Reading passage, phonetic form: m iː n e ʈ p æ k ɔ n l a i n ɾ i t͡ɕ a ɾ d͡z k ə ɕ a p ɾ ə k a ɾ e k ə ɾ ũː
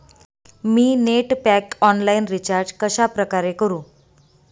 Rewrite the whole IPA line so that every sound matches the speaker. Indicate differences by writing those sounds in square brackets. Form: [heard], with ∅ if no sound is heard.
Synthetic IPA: m iː n e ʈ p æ k ɔ n l a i n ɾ i t͡ɕ a ɾ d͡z k ə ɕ a p ɾ ə k a ɾ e k ə ɾ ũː